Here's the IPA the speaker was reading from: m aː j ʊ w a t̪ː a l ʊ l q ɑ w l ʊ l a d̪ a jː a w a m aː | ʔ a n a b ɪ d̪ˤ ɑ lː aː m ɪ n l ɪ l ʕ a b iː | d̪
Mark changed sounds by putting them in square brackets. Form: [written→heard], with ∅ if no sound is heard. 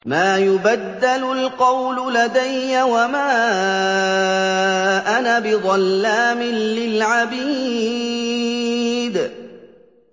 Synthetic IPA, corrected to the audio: m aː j ʊ [w→b] a [t̪ː→d̪ː] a l ʊ l q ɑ w l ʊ l a d̪ a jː a w a m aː | ʔ a n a b ɪ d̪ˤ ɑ lː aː m ɪ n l ɪ l ʕ a b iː | d̪

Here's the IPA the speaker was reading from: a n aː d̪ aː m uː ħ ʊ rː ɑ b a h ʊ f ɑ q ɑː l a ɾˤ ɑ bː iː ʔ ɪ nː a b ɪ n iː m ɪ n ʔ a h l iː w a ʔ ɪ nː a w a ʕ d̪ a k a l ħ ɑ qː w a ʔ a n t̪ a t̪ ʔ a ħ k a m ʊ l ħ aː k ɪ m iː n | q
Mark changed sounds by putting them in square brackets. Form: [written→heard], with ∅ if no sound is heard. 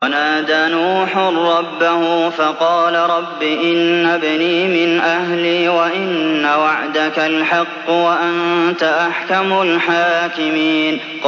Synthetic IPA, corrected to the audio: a n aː d̪ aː [m→n] uː ħ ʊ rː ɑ [b→bː] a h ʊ f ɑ q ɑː l a ɾˤ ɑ bː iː ʔ ɪ nː a b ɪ n iː m ɪ n ʔ a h l iː w a ʔ ɪ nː a w a ʕ d̪ a k a l ħ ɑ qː w a ʔ a n t̪ a [t̪→∅] ʔ a ħ k a m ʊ l ħ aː k ɪ m iː n | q

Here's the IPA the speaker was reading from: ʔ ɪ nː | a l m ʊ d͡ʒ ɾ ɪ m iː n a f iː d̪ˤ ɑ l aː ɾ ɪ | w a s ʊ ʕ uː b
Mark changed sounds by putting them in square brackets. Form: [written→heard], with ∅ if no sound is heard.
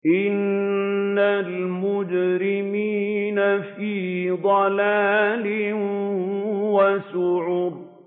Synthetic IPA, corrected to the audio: ʔ ɪ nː | a l m ʊ d͡ʒ ɾ ɪ m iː n a f iː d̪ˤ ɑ l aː [ɾ→l] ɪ | w a s ʊ ʕ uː b

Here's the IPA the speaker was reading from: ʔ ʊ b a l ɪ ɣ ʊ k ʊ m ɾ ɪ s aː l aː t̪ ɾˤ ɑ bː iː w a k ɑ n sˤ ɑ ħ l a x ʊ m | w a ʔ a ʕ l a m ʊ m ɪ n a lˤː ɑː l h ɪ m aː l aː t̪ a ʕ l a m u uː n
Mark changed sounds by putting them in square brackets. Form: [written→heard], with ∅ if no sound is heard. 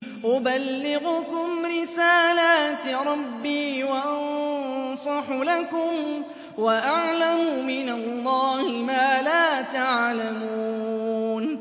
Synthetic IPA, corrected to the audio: ʔ ʊ b a [l→lː] ɪ ɣ ʊ k ʊ m ɾ ɪ s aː l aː t̪ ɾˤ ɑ bː iː w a [k→ʔ] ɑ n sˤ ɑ ħ l a [x→k] ʊ m | w a ʔ a ʕ l a m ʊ m ɪ n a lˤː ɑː [l→∅] h ɪ m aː l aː t̪ a ʕ l a m u uː n

